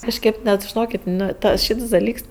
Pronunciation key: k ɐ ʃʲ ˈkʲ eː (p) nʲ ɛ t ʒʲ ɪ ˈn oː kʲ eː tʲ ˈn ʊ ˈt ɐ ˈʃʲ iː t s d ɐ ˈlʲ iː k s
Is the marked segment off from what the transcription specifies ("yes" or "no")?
no